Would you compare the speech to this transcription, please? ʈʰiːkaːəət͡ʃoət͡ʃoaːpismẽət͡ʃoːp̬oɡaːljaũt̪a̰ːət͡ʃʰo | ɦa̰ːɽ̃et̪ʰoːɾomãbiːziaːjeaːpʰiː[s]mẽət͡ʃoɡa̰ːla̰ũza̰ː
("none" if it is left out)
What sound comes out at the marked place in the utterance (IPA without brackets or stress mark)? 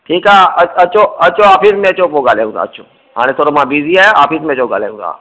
s